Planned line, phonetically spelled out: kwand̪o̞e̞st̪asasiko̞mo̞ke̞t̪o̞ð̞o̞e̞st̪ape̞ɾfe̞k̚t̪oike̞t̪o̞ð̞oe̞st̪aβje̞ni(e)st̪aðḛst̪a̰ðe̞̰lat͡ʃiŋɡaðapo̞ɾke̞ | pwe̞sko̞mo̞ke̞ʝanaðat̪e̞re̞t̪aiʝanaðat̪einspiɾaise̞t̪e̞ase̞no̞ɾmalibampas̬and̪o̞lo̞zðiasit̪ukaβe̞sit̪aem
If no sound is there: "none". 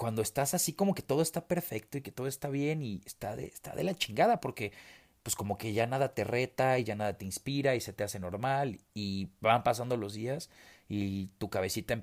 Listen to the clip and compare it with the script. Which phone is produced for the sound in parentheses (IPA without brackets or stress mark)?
e